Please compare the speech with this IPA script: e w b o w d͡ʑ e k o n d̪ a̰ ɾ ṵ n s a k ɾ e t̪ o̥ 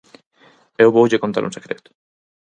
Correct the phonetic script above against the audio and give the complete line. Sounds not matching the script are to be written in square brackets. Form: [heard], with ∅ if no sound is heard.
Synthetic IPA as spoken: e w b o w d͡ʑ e k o n [t̪] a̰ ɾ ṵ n s [e] k ɾ e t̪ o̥